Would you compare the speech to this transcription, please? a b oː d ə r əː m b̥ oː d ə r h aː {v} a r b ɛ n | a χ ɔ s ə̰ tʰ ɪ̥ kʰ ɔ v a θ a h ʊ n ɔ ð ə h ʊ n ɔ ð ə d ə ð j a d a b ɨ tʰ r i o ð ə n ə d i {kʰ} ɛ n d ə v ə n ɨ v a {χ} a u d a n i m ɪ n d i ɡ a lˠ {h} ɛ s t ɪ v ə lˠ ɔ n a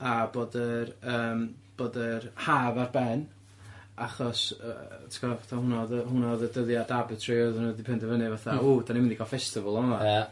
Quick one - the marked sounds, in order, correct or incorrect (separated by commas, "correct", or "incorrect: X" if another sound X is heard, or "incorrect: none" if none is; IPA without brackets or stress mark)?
correct, incorrect: pʰ, incorrect: θ, incorrect: f